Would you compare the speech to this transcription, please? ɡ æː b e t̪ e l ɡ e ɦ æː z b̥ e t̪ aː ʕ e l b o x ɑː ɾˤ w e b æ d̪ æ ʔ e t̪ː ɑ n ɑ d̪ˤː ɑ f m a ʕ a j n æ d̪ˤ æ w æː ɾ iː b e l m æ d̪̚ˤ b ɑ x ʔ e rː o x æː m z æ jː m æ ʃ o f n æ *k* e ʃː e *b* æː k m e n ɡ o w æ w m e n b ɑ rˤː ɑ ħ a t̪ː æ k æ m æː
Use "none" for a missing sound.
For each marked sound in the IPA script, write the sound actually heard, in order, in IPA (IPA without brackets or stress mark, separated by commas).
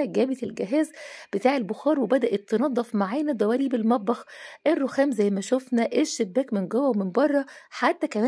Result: ʔ, bː